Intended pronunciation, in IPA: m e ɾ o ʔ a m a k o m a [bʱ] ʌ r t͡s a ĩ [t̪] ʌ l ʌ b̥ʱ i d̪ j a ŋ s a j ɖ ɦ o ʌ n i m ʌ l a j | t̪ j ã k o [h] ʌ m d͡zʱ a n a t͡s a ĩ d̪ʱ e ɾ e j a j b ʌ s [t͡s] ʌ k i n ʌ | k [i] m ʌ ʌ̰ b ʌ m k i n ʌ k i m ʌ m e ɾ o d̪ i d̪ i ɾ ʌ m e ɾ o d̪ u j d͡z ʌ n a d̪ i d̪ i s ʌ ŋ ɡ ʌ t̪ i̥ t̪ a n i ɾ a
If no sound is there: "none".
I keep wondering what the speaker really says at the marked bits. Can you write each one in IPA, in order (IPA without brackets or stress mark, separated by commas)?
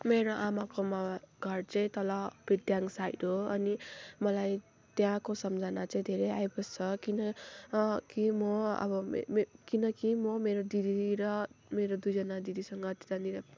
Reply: ɡʱ, t̪, s, t͡sʰ, i